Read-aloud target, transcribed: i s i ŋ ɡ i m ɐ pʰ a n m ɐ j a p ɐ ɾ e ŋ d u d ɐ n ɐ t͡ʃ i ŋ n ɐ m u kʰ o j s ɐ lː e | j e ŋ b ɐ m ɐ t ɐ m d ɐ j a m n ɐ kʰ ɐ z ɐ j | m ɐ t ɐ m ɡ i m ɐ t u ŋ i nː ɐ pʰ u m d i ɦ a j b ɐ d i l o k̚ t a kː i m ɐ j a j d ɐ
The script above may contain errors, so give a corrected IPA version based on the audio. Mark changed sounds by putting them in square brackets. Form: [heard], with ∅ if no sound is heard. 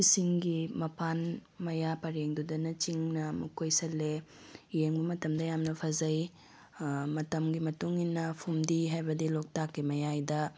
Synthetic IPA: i s i ŋ ɡ i m ɐ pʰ a n m ɐ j a p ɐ ɾ e ŋ d u d ɐ n ɐ t͡ʃ i ŋ n ɐ m u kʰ o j s ɐ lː e | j e ŋ b ɐ m ɐ t ɐ m d ɐ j a m n ɐ [pʰ] ɐ z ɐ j | m ɐ t ɐ m ɡ i m ɐ t u ŋ i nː ɐ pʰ u m d i ɦ a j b ɐ d i l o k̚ t a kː i m ɐ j a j d ɐ